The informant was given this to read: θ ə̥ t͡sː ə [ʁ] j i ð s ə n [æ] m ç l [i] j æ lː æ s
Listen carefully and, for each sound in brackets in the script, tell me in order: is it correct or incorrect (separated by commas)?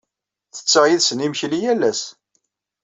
correct, incorrect, correct